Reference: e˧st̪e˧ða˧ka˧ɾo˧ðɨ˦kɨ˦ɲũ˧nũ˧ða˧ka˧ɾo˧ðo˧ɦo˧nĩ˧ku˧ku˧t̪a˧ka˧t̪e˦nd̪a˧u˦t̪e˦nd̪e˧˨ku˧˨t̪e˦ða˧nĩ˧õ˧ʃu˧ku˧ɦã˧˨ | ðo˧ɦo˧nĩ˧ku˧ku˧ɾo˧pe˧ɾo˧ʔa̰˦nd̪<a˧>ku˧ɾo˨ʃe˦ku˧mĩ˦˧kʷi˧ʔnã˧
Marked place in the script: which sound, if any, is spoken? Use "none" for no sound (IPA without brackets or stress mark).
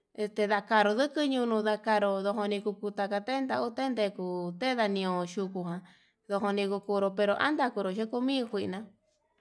a˧